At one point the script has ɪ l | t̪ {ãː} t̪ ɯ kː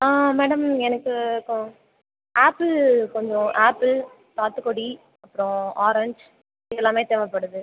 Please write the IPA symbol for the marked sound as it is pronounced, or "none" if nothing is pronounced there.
aː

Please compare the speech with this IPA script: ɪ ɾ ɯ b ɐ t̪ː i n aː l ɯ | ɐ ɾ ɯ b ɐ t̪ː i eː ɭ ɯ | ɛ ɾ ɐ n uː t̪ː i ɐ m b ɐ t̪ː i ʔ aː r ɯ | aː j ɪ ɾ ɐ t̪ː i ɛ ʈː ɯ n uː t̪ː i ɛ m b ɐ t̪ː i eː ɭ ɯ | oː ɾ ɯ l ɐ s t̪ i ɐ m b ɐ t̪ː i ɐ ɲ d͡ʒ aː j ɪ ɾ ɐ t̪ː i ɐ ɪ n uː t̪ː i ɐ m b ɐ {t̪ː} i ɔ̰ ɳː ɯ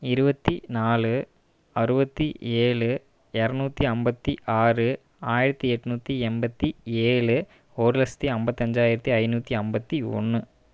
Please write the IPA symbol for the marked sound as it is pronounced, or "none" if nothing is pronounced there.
t̪ː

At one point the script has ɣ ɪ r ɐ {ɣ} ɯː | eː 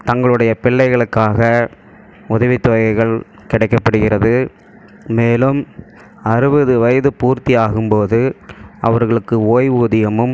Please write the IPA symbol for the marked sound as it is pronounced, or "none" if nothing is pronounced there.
ð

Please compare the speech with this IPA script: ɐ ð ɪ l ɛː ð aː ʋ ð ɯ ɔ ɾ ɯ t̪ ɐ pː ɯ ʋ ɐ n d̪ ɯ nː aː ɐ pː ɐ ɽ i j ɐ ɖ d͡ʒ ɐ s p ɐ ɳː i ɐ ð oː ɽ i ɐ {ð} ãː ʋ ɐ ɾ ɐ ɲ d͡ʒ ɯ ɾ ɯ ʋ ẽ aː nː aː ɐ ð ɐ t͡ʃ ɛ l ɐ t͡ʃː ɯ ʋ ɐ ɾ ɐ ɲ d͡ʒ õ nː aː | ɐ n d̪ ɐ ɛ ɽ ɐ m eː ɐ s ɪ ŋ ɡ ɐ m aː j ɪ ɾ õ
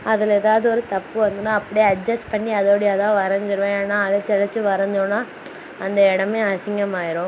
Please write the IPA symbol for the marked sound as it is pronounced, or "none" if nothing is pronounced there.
ð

